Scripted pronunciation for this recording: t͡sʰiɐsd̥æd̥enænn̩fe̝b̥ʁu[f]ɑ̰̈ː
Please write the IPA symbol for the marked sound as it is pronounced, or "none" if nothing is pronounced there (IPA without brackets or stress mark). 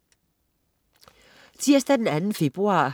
none